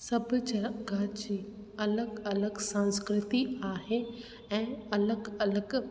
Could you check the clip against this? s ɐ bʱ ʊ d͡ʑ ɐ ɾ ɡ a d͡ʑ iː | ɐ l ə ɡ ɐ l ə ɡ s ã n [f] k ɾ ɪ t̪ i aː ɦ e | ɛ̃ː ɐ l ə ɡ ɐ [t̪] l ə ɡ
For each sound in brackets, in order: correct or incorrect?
incorrect: s, incorrect: none

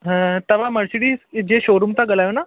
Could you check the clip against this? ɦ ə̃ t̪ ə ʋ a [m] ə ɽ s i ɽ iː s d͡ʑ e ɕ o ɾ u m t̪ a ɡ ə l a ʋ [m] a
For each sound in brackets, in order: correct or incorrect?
correct, incorrect: n

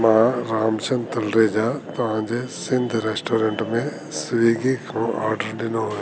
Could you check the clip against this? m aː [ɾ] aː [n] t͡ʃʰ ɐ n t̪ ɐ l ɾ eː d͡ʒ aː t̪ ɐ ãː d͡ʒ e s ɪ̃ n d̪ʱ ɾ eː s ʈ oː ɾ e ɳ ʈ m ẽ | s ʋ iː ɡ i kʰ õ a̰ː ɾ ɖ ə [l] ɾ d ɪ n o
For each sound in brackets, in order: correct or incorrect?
correct, incorrect: m, incorrect: none

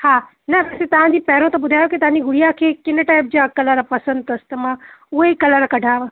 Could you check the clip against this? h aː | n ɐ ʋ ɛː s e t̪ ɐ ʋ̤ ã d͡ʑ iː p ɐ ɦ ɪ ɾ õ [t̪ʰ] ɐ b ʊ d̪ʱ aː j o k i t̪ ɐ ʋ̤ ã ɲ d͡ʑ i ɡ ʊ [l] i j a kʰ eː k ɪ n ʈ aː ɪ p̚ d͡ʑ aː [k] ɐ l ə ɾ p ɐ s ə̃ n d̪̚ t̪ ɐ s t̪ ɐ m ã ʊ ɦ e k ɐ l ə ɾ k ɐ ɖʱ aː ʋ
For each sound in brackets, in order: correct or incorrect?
incorrect: t̪, incorrect: ɽ, correct

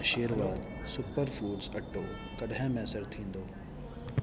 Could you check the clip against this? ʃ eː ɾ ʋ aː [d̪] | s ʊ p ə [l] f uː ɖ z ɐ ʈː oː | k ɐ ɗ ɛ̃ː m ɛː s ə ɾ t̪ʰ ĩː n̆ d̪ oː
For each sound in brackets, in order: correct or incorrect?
correct, incorrect: ɾ

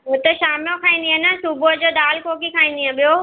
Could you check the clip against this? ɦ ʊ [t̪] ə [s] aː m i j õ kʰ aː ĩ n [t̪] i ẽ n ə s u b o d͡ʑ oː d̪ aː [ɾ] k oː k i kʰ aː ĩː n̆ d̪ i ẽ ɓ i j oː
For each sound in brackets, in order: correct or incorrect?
correct, incorrect: ʃ, incorrect: d̪, incorrect: l

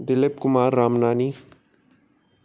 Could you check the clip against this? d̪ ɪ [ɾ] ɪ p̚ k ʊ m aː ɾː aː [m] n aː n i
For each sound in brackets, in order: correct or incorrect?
incorrect: l, correct

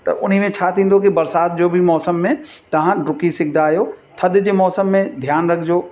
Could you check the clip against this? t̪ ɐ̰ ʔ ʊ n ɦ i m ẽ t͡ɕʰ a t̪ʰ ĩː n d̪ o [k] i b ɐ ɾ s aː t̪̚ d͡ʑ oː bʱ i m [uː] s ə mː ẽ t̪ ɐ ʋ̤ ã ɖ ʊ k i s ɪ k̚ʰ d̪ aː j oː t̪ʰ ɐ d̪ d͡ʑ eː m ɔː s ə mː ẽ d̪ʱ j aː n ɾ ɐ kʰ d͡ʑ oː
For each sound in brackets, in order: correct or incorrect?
correct, incorrect: ɔː

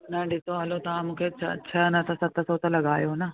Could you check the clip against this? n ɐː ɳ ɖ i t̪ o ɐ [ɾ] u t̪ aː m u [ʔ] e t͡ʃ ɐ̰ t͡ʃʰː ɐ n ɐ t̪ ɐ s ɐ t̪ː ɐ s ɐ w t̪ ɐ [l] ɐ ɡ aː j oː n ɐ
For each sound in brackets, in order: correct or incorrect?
incorrect: l, incorrect: k, correct

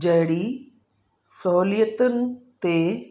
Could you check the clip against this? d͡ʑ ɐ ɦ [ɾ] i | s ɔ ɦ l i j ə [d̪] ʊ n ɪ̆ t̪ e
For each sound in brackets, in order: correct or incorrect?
incorrect: ɽ, incorrect: t̪

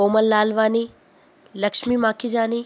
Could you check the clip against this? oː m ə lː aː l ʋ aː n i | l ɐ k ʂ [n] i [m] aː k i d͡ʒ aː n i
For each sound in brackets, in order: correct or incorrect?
incorrect: m, correct

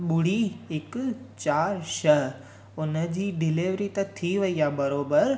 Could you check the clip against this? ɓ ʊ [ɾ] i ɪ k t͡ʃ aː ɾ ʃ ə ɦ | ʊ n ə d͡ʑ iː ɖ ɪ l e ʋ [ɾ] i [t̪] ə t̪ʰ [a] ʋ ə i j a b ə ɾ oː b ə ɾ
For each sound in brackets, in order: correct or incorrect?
incorrect: ɽ, correct, correct, incorrect: i

